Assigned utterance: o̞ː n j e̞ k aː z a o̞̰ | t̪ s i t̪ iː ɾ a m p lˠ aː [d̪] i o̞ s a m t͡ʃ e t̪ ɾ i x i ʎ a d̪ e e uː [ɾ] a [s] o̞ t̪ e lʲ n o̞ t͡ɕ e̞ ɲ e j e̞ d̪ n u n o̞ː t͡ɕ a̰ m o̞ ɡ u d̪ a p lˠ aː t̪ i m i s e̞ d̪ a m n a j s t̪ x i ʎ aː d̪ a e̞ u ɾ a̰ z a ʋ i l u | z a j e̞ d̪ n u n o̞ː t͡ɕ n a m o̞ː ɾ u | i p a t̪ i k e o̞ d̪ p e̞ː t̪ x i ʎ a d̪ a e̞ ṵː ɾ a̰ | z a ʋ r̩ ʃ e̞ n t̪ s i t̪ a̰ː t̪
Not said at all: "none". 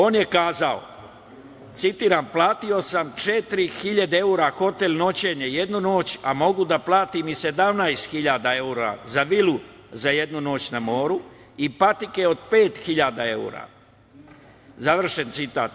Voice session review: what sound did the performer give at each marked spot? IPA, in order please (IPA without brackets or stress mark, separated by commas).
t̪, ɾ, x